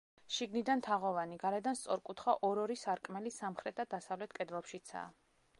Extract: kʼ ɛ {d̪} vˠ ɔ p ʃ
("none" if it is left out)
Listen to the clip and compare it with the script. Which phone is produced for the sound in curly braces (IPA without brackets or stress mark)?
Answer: d̪